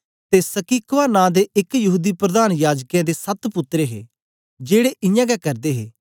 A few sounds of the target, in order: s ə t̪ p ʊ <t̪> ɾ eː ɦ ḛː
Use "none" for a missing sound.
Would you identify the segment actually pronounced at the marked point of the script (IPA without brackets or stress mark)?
t̪